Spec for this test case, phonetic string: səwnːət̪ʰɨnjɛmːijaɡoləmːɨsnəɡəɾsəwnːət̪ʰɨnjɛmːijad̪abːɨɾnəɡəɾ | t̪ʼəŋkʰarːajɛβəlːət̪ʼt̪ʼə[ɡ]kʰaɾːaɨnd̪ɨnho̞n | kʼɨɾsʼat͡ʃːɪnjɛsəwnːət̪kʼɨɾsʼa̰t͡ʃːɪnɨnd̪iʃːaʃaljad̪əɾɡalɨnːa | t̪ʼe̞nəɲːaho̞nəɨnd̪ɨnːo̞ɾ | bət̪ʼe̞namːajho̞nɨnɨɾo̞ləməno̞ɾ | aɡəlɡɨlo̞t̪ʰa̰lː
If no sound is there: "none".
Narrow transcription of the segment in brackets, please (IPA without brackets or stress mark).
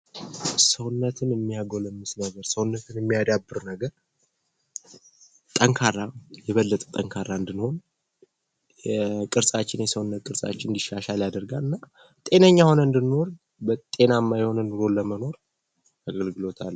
ŋ